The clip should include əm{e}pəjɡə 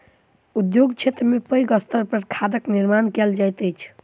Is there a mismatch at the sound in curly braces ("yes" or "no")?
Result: no